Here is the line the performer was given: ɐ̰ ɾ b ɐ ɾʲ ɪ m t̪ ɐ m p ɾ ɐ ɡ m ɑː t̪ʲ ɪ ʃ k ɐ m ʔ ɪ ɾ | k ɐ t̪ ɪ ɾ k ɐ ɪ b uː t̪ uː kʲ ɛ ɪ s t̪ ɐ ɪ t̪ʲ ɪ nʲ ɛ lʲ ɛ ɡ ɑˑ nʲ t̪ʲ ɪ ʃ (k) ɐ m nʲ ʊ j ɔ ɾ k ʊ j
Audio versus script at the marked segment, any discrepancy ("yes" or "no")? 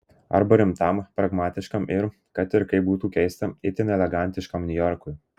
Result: no